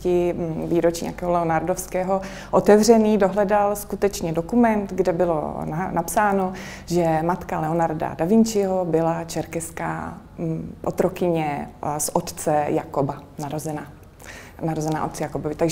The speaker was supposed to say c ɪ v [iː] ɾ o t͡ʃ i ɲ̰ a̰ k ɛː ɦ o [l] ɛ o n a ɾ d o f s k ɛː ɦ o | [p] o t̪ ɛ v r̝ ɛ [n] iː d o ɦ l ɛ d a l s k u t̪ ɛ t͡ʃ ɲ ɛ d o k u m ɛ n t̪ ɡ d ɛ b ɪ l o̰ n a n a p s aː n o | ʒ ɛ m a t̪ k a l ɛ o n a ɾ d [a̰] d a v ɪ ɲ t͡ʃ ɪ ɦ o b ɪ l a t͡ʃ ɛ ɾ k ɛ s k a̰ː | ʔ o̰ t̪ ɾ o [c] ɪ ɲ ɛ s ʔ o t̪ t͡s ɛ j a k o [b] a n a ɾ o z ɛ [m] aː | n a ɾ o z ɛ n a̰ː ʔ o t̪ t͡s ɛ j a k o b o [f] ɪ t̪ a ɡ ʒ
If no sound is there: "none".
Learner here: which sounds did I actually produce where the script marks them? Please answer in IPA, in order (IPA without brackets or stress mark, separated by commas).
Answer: iː, l, ʔ, n, a̰, k, b, n, v